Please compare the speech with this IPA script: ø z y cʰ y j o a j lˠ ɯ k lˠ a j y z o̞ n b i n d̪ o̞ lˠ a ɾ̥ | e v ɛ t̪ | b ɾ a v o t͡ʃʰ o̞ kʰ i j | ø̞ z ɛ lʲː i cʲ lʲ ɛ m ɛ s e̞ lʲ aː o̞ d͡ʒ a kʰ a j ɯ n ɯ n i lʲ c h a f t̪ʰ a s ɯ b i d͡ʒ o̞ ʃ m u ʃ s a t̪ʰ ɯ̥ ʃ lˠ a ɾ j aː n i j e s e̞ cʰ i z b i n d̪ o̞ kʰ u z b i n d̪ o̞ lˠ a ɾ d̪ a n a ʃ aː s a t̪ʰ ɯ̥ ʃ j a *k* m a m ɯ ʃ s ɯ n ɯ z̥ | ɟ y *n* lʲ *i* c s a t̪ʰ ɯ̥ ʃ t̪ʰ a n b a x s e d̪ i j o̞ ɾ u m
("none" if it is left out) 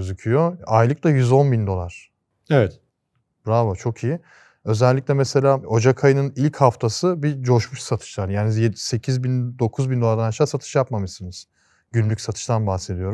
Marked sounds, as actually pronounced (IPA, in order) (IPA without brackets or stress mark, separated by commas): p, n, y